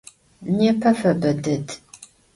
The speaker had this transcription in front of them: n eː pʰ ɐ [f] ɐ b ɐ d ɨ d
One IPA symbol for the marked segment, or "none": f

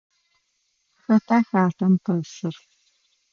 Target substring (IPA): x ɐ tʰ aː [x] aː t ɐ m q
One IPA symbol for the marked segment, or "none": x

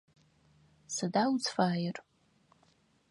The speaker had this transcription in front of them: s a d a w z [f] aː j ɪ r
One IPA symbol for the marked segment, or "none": f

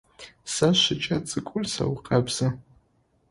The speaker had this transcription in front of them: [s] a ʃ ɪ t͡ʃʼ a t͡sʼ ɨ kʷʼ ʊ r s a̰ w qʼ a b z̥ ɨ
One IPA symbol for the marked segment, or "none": s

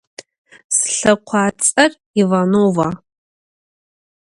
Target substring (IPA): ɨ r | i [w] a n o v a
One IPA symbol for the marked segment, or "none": v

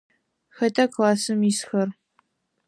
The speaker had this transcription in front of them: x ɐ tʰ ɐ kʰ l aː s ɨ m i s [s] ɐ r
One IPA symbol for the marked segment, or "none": x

